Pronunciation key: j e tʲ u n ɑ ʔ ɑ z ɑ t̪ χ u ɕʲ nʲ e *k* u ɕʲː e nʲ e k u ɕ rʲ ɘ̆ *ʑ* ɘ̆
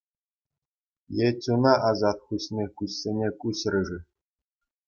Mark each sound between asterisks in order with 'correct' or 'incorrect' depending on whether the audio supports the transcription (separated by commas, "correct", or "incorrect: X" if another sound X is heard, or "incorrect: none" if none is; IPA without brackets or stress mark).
correct, incorrect: ʐ